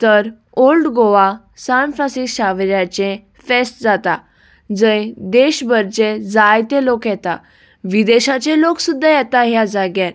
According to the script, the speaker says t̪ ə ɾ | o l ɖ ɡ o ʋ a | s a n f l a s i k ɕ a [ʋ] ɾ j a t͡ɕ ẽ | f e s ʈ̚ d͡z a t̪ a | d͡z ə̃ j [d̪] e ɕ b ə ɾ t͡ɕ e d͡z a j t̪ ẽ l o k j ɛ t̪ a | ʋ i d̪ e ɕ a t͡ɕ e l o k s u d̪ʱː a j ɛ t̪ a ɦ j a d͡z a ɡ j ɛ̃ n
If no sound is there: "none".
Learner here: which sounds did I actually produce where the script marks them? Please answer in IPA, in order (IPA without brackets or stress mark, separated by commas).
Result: ʋ, d̪